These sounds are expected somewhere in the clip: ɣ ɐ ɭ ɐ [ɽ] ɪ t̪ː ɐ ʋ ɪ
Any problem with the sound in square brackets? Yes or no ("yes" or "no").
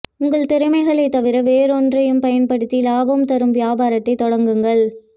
yes